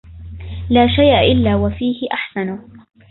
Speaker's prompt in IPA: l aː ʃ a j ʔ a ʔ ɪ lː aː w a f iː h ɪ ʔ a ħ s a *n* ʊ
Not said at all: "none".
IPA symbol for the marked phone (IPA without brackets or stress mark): n